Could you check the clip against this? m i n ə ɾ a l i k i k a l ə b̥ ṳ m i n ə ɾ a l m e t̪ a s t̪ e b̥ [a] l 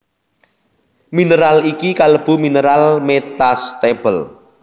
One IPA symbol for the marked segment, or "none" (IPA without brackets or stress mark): ə